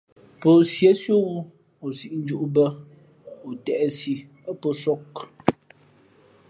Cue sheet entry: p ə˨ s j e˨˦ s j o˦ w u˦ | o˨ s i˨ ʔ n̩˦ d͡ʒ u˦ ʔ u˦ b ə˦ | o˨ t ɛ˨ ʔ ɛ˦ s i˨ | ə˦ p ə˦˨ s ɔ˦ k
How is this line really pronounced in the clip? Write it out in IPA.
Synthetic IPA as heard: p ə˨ s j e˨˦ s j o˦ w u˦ | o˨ s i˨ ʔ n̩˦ d͡ʒ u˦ ʔ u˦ b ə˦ | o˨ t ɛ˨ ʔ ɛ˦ s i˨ | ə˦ p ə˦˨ s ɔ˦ k